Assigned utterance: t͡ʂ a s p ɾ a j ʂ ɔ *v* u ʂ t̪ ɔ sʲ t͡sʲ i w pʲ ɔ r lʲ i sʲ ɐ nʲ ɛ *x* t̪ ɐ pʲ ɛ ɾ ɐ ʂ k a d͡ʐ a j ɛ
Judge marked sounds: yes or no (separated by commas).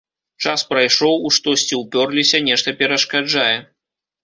no, no